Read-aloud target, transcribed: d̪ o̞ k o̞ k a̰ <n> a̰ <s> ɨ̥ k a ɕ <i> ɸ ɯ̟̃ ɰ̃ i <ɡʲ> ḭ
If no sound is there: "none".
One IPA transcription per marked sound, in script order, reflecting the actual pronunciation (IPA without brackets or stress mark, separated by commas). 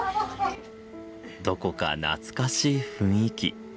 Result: n, t͡s, iː, kʲ